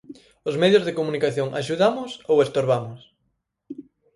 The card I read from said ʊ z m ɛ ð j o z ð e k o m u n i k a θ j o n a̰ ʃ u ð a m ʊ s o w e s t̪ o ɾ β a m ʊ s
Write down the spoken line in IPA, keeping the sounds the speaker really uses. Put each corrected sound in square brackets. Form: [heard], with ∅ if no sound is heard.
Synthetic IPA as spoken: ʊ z m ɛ ð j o z ð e k o m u n i k a θ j o [ŋ] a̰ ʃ u ð a m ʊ s o w e s t̪ o ɾ β a m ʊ s